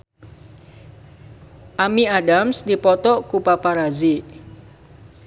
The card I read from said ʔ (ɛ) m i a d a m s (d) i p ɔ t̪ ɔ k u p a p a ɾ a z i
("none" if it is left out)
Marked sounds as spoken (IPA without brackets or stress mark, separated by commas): a, d